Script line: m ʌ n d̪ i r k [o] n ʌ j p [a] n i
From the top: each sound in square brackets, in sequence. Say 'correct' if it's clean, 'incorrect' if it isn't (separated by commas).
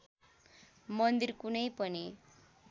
incorrect, incorrect